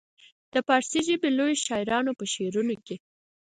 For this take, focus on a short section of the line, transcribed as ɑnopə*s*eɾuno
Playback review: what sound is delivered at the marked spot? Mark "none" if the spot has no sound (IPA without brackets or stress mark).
ʃ